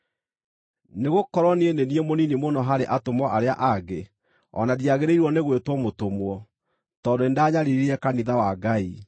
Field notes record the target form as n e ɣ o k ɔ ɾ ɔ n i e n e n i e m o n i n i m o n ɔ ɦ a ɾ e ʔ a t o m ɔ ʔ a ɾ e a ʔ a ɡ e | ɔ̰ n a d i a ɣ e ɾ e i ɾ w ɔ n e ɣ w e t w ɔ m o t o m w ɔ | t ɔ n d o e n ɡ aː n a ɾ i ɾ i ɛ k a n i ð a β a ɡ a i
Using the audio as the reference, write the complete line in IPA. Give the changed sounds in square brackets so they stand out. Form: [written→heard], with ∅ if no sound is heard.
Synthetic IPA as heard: n e ɣ o k ɔ ɾ ɔ n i e n e n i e m o n i n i m o n ɔ ɦ a ɾ e ʔ a t o m ɔ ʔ a ɾ e a ʔ a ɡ e | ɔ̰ n a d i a ɣ e ɾ e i ɾ w ɔ n e ɣ w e t w ɔ m o t o m w ɔ | t ɔ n d o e n [ɡ→d] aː [n→ɲ] a ɾ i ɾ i ɛ k a n i ð a [β→w] a ɡ a i